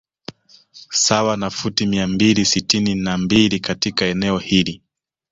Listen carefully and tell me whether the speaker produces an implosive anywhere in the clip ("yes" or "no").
no